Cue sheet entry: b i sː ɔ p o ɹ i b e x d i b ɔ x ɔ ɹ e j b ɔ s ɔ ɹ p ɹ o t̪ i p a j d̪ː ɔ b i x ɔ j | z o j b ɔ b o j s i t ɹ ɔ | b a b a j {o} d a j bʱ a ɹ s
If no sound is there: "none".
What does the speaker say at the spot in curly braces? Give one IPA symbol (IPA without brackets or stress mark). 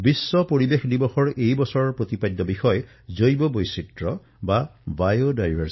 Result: o